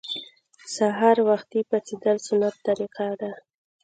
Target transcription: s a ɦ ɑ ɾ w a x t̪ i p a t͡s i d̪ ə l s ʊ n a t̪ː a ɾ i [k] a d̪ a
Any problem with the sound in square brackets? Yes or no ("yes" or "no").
yes